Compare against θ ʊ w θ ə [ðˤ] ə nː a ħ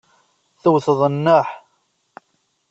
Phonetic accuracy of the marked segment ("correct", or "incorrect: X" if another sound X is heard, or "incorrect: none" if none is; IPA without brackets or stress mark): correct